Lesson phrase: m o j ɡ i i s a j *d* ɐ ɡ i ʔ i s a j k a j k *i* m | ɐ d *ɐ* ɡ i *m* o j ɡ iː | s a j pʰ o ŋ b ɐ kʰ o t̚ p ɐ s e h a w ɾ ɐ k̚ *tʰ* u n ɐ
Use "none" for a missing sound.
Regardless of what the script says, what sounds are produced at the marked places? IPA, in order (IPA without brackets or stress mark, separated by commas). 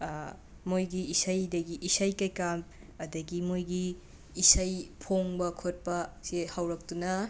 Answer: d, a, ɐ, m, t